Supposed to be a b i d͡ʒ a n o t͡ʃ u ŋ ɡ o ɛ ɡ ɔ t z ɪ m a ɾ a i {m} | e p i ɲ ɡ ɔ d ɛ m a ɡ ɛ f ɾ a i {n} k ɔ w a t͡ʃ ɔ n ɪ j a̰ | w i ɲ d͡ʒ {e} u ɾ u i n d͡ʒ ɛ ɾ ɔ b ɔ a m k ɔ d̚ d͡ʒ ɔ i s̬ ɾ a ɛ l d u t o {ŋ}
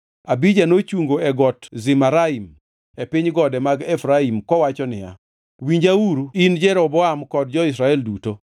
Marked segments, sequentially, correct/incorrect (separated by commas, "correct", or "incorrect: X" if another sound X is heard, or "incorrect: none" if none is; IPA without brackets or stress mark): correct, incorrect: m, incorrect: a, incorrect: none